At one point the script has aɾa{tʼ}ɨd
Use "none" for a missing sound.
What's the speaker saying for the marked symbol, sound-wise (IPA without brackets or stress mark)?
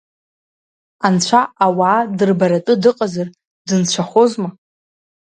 tʼ